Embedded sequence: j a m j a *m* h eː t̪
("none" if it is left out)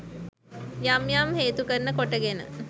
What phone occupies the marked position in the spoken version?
m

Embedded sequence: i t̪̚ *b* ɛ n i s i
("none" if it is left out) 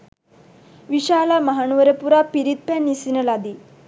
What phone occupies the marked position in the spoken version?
p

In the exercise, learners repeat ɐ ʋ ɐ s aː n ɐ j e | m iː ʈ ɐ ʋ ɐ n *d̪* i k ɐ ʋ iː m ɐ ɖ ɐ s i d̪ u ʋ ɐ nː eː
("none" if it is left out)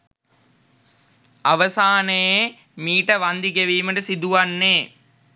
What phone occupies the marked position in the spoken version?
d̪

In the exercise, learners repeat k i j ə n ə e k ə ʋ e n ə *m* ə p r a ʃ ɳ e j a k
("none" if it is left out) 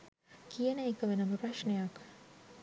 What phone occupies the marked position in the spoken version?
m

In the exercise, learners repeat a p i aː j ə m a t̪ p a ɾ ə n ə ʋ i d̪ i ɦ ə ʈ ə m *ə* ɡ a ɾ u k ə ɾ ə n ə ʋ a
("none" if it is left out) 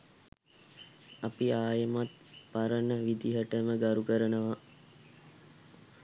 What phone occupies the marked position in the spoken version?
ə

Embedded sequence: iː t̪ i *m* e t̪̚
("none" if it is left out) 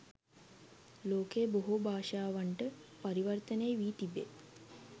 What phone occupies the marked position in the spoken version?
b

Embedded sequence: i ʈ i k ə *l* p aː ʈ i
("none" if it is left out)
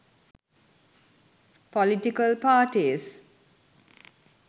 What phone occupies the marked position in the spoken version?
l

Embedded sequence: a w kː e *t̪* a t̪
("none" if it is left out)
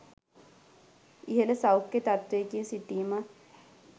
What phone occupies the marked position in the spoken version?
t̪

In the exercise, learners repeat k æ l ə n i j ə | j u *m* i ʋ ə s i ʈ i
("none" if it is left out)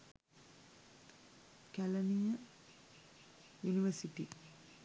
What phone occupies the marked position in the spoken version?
n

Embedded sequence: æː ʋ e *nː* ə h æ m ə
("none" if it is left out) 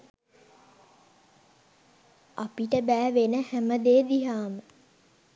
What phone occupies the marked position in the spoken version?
n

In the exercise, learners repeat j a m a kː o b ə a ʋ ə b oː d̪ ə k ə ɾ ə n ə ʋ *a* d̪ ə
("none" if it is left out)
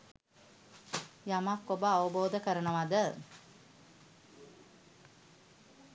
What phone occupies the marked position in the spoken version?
a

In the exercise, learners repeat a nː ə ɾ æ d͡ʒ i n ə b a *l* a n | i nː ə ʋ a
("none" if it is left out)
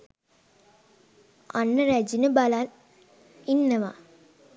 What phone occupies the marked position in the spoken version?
l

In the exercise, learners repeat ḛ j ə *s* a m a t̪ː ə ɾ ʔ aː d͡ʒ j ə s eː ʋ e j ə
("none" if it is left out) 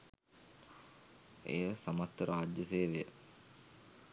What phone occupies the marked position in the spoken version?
s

